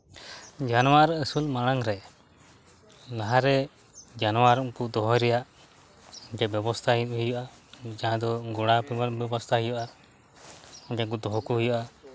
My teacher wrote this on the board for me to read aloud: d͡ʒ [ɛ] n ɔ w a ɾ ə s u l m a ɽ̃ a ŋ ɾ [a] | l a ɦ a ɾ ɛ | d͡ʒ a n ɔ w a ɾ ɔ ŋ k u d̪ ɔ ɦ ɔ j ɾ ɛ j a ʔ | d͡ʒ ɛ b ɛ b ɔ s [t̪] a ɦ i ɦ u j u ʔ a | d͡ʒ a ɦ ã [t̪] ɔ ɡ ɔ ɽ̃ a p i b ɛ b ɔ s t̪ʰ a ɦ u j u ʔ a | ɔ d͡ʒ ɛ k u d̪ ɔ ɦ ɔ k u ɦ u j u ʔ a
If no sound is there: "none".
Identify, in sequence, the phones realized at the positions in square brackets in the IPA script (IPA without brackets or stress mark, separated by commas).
a, ɛ, t̪ʰ, d̪